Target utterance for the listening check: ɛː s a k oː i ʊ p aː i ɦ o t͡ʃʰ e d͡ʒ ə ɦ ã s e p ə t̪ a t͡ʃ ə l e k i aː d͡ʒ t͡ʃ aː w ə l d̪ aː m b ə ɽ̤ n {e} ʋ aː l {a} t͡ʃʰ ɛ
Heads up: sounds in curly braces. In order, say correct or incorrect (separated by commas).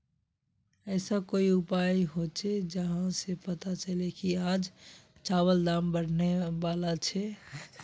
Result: correct, correct